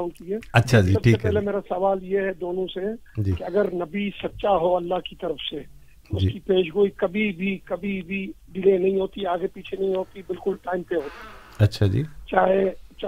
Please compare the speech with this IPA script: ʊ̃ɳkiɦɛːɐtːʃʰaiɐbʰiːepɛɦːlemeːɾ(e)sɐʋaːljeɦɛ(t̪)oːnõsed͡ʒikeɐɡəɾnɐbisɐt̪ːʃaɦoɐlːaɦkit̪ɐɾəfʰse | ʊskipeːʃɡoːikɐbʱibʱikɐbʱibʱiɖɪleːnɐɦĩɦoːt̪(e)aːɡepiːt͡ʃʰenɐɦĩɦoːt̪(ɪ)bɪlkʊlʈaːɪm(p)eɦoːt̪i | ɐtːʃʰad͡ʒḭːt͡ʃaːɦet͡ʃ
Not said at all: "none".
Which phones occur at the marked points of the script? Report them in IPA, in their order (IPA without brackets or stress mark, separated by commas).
a, d̪, i, i, p